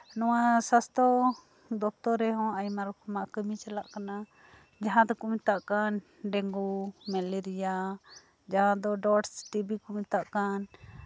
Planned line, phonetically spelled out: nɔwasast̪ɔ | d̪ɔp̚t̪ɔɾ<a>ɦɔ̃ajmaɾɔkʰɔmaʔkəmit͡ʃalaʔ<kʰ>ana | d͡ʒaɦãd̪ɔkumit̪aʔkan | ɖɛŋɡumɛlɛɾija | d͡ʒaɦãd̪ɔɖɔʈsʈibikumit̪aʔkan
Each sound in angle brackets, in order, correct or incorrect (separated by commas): incorrect, incorrect